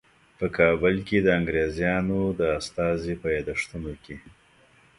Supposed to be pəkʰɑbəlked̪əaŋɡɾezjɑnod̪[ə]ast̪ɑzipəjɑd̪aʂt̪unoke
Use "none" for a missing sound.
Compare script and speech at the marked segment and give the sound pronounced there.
ə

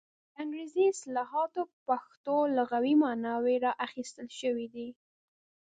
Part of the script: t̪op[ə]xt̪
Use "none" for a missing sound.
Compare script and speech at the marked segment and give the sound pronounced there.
a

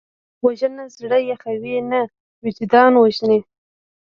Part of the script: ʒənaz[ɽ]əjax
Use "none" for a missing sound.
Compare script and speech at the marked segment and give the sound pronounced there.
ɽ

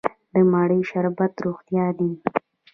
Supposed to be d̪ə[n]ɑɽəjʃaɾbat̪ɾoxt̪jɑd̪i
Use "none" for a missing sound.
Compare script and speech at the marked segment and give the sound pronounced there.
m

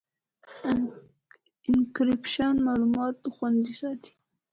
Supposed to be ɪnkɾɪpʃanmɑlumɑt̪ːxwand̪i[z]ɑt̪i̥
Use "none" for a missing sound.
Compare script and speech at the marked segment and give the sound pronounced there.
s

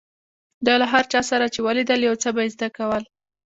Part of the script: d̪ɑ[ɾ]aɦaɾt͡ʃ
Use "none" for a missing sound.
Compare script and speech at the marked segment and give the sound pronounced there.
l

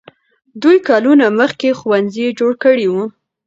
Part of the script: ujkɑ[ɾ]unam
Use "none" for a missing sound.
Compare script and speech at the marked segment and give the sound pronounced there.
l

